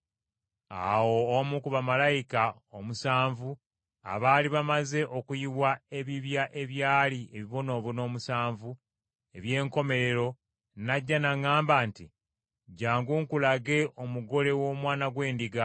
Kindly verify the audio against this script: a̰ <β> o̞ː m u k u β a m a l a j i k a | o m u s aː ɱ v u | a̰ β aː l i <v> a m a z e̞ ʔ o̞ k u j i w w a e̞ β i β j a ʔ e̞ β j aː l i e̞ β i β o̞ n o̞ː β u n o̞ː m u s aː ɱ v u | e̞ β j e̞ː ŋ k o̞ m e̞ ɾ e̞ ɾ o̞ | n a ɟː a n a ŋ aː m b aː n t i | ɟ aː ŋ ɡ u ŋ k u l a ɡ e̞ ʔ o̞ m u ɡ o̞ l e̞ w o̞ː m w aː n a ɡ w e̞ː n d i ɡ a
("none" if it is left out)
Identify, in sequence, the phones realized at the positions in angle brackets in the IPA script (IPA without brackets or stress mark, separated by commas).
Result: w, β